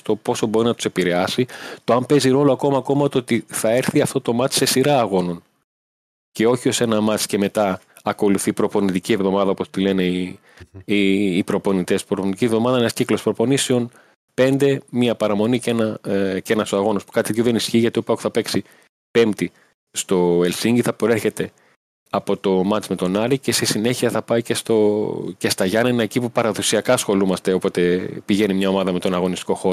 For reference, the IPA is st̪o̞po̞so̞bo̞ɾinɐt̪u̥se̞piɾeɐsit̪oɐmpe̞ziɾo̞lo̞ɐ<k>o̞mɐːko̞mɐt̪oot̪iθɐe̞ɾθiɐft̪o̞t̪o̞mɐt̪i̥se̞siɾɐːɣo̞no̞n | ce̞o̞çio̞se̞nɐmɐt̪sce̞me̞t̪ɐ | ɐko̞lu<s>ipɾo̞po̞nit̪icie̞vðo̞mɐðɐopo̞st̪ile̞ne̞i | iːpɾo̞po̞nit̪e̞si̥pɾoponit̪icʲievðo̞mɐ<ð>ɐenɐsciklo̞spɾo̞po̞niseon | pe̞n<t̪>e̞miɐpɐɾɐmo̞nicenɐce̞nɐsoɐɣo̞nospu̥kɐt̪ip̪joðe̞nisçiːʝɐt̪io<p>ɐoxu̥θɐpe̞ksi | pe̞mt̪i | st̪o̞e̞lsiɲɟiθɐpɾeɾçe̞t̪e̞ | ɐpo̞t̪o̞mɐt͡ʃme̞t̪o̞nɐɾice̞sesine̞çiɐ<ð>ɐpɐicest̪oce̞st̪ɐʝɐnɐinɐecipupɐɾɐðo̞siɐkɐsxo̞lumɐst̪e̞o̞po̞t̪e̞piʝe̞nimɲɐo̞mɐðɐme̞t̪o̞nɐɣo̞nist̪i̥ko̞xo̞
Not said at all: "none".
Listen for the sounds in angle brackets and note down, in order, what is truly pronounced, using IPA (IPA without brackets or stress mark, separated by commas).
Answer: k, θ, ð, d̪, p, θ